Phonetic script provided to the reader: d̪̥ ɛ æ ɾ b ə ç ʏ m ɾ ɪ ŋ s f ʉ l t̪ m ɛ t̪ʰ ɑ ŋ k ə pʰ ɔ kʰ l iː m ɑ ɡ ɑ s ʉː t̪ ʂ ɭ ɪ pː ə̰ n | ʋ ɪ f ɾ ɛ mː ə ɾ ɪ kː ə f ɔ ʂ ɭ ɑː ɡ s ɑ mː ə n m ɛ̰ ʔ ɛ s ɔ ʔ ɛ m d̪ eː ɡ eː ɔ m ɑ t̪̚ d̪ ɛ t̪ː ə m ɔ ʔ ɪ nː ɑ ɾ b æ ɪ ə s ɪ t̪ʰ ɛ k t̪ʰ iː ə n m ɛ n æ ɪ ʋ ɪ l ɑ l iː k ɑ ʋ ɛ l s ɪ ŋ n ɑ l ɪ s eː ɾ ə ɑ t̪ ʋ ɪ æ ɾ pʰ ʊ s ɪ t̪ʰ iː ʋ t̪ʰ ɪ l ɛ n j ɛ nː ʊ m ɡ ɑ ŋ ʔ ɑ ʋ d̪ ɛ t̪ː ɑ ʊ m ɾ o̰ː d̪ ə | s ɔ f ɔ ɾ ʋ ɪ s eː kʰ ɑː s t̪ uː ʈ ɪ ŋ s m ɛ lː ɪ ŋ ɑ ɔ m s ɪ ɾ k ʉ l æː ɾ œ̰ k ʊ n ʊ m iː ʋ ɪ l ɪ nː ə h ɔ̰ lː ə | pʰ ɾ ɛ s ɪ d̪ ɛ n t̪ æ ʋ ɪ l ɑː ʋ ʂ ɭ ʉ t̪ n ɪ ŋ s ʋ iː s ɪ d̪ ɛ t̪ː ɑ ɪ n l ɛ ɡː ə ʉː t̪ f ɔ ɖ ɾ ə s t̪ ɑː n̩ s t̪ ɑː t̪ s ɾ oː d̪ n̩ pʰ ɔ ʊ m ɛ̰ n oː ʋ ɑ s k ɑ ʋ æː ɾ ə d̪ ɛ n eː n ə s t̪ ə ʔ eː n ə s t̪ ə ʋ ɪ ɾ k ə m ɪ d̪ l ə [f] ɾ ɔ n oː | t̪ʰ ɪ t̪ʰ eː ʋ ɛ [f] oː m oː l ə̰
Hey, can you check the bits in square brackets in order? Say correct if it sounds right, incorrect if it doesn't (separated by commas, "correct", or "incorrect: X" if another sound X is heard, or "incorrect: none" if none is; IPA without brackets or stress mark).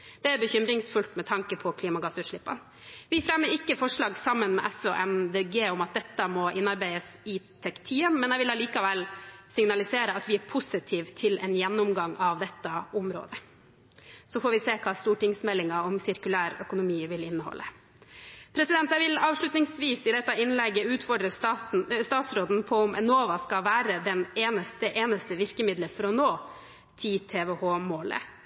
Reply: correct, incorrect: h